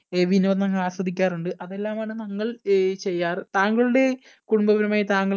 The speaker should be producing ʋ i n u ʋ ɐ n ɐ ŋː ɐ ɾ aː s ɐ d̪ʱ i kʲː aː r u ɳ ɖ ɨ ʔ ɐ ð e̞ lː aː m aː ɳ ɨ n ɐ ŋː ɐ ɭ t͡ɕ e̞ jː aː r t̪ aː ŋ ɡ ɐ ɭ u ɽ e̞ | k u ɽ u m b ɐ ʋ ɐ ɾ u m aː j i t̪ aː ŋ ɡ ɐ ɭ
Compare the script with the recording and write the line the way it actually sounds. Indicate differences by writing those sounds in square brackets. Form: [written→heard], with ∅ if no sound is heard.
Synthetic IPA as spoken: ʋ i n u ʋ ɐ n ɐ ŋː ɐ [ɾ→ɭ] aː s ɐ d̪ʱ i kʲː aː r u ɳ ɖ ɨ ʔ ɐ ð e̞ lː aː m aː ɳ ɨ n ɐ ŋː ɐ ɭ t͡ɕ e̞ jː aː r t̪ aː ŋ ɡ ɐ ɭ u ɽ e̞ | k u ɽ u m b ɐ ʋ ɐ ɾ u m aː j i t̪ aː ŋ ɡ ɐ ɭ